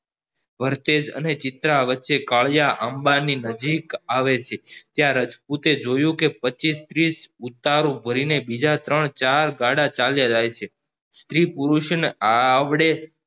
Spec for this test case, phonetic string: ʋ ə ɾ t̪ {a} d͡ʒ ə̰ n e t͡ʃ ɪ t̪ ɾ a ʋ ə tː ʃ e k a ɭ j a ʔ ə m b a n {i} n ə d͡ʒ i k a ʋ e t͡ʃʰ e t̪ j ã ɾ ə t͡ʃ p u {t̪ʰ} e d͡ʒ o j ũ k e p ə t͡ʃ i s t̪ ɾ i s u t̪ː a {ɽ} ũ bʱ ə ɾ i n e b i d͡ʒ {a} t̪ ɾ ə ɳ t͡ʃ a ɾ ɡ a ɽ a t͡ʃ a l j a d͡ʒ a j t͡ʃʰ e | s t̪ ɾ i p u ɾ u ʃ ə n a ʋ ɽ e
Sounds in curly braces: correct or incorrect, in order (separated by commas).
incorrect, correct, incorrect, incorrect, correct